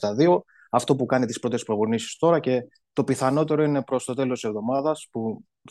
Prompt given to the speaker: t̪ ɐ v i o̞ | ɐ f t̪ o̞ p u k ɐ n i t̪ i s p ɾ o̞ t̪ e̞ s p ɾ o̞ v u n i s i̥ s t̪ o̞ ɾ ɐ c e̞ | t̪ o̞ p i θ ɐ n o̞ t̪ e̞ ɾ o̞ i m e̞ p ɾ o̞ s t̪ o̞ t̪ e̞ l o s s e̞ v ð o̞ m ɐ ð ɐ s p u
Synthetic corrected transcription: t̪ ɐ ð i o̞ | ɐ f t̪ o̞ p u k ɐ n i t̪ i s p ɾ o̞ t̪ e̞ s p ɾ o̞ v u n i s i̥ s t̪ o̞ ɾ ɐ c e̞ | t̪ o̞ p i θ ɐ n o̞ t̪ e̞ ɾ o̞ i n e̞ p ɾ o̞ s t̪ o̞ t̪ e̞ l o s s e̞ v ð o̞ m ɐ ð ɐ s p u